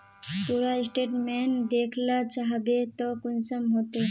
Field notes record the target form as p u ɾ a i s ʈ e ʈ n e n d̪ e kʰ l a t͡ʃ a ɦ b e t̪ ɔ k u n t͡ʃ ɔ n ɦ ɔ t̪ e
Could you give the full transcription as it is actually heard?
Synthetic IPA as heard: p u ɾ a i s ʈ e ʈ m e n d̪ e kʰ l a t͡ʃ a ɦ b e t̪ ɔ k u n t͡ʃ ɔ m ɦ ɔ t̪ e